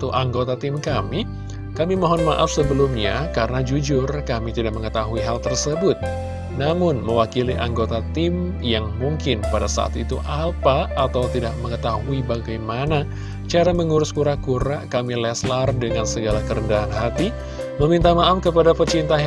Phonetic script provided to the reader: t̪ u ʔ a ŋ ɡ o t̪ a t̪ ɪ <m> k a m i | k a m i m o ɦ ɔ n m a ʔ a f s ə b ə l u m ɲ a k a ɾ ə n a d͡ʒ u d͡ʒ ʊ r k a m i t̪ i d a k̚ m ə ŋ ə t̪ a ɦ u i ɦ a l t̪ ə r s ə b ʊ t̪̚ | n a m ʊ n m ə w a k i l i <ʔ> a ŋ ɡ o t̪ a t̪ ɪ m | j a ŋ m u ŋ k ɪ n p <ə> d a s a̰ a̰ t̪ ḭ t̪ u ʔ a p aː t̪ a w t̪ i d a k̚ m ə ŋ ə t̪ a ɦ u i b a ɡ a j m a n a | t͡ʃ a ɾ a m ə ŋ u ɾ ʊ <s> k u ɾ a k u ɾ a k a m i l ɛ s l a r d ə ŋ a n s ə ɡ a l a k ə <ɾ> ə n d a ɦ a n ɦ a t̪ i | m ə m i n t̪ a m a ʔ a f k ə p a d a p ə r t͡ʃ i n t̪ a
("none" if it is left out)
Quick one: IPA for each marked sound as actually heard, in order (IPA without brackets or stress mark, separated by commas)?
m, ʔ, a, s, ɾ